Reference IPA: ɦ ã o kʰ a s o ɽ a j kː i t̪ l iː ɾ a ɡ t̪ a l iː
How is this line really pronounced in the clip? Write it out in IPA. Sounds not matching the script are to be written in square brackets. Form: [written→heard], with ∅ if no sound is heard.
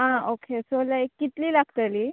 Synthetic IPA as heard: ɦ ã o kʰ [a→e] s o [ɽ→l] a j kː i t̪ l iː [ɾ→l] a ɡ t̪ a l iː

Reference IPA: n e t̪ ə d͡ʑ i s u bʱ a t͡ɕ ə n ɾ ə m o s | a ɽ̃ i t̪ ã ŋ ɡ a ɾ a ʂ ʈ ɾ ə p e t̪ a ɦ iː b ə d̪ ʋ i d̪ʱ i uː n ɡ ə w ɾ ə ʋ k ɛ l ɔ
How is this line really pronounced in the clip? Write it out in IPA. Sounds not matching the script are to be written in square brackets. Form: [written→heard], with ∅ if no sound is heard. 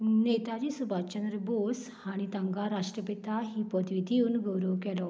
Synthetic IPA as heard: n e t̪ [ə→a] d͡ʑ i s u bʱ a t͡ɕ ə n ɾ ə [m→b] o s | a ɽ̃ i t̪ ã ŋ ɡ a ɾ a ʂ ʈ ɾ ə p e t̪ a ɦ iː [b→p] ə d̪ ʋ i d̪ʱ i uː n ɡ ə w ɾ ə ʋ k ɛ l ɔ

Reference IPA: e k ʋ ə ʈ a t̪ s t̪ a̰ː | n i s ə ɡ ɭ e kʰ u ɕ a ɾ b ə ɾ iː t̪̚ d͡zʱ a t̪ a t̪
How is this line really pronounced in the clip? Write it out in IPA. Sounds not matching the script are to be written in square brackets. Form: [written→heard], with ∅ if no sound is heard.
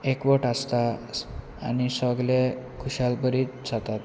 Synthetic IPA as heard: e k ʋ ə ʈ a [t̪→∅] s t̪ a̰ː | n i s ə ɡ [ɭ→l] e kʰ u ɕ a [ɾ→l] b ə ɾ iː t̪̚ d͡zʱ a t̪ a t̪

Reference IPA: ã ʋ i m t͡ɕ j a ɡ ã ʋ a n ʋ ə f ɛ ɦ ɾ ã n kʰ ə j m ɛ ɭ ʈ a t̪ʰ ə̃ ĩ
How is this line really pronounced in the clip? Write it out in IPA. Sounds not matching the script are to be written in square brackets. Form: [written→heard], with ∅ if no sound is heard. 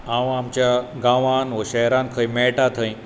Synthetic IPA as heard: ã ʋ [i→a] m t͡ɕ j a ɡ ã ʋ a n ʋ ə [f→ɕ] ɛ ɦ ɾ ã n kʰ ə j m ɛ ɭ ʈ a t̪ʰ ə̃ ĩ

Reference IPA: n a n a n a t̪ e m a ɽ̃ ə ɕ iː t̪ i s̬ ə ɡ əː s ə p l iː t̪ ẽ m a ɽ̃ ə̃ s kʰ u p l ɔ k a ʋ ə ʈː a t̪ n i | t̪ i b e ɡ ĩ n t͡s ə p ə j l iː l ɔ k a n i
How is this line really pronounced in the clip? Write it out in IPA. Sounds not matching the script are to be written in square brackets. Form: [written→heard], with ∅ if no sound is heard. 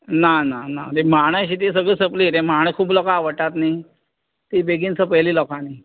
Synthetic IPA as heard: n a n a n a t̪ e m a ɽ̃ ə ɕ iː t̪ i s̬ ə ɡ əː s ə p l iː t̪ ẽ m a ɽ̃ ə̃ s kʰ [u→uː] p l ɔ k a ʋ ə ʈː a t̪ n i | t̪ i b e ɡ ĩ n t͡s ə p ə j l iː l ɔ k a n i

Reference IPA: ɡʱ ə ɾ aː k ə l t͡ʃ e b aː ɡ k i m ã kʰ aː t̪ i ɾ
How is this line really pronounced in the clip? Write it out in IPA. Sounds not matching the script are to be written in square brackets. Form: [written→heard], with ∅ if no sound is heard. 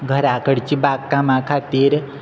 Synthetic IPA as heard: ɡʱ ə ɾ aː k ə [l→ɽ] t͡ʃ [e→i] b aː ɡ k [i→a] m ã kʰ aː t̪ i ɾ

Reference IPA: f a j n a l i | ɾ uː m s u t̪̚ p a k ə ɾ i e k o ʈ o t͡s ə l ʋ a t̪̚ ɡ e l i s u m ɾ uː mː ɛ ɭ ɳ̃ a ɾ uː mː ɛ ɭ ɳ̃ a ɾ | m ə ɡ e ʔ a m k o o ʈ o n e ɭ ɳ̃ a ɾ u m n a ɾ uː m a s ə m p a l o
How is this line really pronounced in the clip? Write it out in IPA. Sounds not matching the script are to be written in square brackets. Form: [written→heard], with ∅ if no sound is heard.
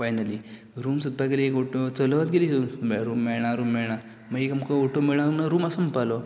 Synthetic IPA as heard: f a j n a l i | ɾ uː m s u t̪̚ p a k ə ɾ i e k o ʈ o t͡s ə l ʋ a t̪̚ ɡ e l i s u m ɾ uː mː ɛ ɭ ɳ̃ a ɾ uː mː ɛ ɭ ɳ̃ a ɾ | m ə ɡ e [ʔ→k] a m k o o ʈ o [n→m] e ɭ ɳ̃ a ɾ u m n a ɾ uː m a s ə m p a l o

